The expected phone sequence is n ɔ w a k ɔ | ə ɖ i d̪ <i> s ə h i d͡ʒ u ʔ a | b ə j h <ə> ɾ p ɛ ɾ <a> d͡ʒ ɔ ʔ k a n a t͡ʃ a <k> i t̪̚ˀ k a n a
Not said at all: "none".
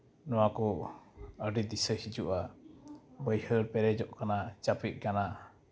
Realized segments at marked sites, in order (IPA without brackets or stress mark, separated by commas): i, ə, ɛ, p